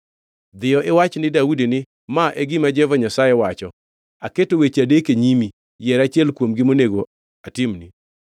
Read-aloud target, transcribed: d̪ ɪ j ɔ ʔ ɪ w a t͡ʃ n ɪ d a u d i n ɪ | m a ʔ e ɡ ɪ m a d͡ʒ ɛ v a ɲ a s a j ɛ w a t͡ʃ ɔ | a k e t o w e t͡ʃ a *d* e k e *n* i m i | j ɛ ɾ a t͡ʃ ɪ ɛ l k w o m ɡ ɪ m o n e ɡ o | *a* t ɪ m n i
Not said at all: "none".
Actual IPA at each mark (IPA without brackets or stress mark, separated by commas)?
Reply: d, ɲ, a